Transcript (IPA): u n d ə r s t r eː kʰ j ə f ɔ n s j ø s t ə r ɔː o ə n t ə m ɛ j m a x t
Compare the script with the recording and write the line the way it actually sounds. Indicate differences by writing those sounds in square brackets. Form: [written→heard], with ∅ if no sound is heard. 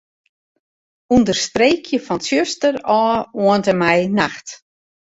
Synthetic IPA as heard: u n d ə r s t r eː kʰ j ə f ɔ n s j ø s t ə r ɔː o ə n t ə m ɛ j [m→n] a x t